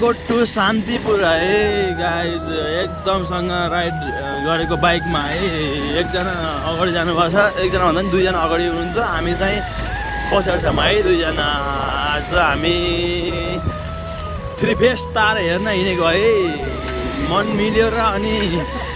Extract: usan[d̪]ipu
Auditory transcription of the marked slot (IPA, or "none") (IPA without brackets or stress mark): t̪